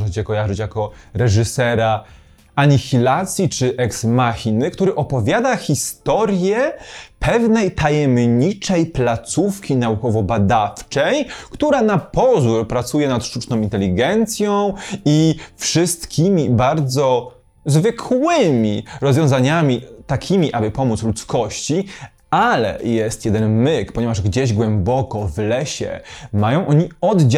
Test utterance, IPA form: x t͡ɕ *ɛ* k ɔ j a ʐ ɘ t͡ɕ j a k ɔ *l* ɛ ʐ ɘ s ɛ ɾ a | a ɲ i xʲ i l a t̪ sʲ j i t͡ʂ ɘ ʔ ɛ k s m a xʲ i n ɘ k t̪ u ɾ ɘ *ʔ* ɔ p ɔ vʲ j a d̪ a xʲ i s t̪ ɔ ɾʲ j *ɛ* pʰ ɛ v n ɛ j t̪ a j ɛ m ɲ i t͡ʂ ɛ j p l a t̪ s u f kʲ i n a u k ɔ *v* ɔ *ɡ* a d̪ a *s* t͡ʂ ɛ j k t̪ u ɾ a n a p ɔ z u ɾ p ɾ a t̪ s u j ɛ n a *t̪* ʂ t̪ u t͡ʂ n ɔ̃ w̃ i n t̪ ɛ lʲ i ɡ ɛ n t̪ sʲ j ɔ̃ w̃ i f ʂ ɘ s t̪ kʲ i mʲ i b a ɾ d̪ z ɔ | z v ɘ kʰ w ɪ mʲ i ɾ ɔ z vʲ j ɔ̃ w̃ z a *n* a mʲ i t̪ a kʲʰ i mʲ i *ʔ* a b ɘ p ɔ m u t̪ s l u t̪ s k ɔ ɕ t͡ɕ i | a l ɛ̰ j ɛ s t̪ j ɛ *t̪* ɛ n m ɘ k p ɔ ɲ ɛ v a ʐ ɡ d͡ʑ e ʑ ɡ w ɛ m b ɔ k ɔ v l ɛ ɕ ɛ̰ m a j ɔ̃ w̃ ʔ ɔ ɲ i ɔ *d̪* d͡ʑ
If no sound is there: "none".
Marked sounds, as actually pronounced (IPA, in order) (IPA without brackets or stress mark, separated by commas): ɛ, ɾ, ʔ, ɛ, v, b, f, t̪, ɲ, ʔ, d̪, d̪